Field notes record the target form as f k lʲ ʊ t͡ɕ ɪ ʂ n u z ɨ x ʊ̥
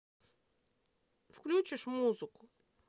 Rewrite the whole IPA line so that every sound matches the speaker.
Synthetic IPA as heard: f k lʲ u t͡ɕ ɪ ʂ m u z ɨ k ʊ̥